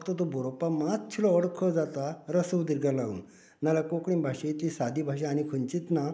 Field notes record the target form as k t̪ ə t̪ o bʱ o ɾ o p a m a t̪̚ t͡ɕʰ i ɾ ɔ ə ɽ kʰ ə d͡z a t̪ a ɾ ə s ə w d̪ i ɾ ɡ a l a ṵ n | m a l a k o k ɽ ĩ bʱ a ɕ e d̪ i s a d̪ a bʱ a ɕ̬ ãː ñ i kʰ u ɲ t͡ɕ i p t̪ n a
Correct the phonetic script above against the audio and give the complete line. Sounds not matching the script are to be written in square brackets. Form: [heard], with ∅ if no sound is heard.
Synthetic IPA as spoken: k t̪ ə t̪ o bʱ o ɾ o p a m a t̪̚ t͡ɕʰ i [l] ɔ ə ɽ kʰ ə d͡z a t̪ a ɾ ə s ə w d̪ i ɾ ɡ a l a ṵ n | [n] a l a k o k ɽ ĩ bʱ a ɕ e [t̪] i s a d̪ [i] bʱ a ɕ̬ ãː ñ i kʰ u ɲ t͡ɕ i [∅] t̪ n a